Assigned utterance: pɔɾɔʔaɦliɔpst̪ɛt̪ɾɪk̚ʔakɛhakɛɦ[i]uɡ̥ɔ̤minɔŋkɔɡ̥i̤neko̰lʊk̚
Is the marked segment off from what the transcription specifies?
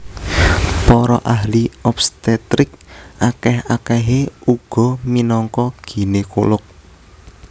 yes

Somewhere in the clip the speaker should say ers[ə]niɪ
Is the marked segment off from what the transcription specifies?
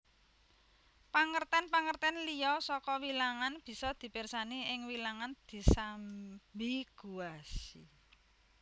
yes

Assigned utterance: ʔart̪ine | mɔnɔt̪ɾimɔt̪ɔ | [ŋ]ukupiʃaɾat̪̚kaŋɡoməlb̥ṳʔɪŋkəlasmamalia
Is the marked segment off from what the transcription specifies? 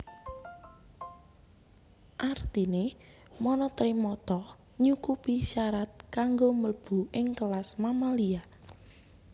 yes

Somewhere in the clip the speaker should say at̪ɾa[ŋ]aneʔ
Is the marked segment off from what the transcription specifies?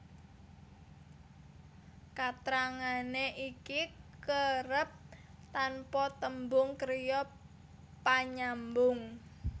no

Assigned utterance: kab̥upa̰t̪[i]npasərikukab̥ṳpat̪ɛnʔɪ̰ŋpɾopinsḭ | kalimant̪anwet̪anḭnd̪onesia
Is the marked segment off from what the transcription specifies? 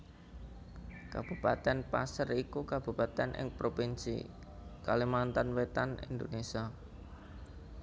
yes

